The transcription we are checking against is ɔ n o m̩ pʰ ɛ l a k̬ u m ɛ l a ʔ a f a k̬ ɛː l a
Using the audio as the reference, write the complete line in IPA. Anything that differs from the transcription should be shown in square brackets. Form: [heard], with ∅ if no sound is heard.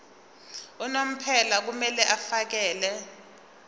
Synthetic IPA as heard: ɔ n o m̩ pʰ ɛ l a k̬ u m ɛ l [ɛ] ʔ a f a k̬ ɛː l [ɛ]

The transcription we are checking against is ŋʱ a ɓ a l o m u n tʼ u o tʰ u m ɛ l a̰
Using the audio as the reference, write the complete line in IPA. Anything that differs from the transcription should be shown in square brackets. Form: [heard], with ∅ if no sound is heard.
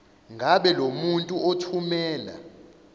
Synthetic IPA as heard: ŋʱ a ɓ [ɛ] l o m u n tʼ u o tʰ u m [ɛː] l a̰

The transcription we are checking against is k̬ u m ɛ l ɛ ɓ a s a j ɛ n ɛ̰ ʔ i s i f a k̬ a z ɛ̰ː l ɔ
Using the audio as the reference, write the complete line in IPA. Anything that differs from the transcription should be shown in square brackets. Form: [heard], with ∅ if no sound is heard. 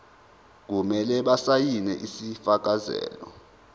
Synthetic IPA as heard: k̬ u m ɛ l ɛ ɓ a s a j [i] n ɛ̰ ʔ i s i f a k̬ a z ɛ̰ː l ɔ

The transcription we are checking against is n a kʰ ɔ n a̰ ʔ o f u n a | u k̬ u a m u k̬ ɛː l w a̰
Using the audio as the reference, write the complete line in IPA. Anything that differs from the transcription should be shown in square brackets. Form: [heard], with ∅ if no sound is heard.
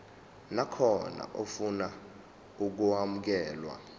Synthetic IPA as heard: n a kʰ ɔ n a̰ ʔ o f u n a | u k̬ u a m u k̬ ɛː l w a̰

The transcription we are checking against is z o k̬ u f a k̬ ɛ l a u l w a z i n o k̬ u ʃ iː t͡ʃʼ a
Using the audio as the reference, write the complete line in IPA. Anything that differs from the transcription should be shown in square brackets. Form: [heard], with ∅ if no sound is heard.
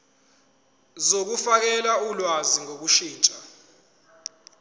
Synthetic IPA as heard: z o k̬ u f a k̬ ɛ l a u l w a z i [ŋ] o k̬ u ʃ iː t͡ʃʼ a

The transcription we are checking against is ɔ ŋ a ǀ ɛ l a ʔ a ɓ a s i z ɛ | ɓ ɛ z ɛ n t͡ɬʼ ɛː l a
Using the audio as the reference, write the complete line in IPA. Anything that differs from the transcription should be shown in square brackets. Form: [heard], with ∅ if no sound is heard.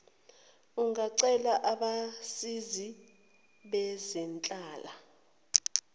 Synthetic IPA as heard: [u] ŋ a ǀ ɛ l a ʔ a ɓ a s i z [i] | ɓ ɛ z ɛ n t͡ɬʼ [aː] l a

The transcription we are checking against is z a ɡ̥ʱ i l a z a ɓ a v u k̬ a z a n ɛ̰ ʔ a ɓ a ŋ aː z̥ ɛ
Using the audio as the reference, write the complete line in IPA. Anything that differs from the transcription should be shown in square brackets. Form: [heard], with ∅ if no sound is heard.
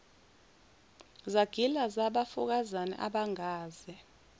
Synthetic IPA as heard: z a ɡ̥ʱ i l a z a ɓ a [f] u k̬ a z a n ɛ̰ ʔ a ɓ a ŋ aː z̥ ɛ

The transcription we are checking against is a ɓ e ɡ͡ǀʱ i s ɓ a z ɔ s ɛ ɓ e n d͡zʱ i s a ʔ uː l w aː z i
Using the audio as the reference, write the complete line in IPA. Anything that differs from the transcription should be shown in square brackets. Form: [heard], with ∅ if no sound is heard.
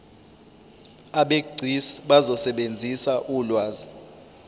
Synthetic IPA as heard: a ɓ e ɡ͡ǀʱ i s ɓ a z ɔ s ɛ ɓ e n d͡zʱ i s a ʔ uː l w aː z i

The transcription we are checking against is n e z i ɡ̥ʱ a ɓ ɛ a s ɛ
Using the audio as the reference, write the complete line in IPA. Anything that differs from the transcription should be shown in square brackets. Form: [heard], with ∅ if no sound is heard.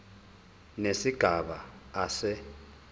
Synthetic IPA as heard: n e [s] i ɡ̥ʱ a ɓ [a] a s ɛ

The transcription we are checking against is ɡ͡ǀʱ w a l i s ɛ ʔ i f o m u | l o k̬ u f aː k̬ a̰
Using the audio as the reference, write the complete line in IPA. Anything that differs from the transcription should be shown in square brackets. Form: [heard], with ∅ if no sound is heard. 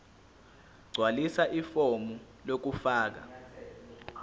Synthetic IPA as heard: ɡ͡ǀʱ w a l i s [a] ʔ i f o m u | l o k̬ u f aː k̬ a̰

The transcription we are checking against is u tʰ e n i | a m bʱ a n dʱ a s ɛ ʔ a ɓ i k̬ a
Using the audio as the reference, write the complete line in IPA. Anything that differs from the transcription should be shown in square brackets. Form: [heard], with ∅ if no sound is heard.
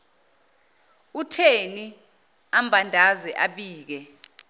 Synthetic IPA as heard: u tʰ e n i | a m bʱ a n dʱ a [z] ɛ ʔ a ɓ [iː] k̬ [ɛ]

